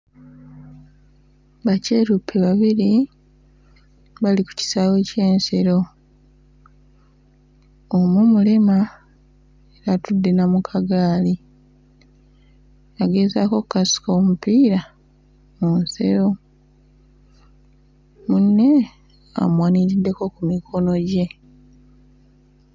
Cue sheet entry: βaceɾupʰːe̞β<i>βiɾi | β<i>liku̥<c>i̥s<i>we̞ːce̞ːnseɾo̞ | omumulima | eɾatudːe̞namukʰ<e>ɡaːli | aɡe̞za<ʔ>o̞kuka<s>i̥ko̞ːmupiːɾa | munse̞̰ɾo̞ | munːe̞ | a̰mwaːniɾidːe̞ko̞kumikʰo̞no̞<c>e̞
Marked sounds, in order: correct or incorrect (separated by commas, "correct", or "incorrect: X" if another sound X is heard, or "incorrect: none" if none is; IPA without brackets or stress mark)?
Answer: incorrect: a, incorrect: a, correct, incorrect: a, incorrect: a, incorrect: k, correct, incorrect: ɟ